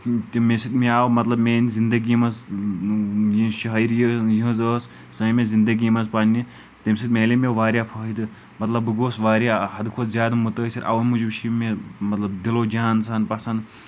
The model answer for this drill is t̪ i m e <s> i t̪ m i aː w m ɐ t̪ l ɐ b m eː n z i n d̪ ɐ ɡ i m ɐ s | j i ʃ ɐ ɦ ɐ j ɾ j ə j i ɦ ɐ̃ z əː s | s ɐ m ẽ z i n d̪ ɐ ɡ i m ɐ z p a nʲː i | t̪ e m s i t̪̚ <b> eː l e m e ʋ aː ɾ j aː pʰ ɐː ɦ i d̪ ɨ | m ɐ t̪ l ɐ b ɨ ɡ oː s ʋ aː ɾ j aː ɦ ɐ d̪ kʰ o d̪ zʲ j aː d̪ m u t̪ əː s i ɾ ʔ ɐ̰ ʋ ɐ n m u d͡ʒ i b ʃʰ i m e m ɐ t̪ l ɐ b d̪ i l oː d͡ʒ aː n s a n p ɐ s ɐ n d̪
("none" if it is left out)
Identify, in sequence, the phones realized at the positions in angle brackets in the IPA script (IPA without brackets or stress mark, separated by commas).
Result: s, m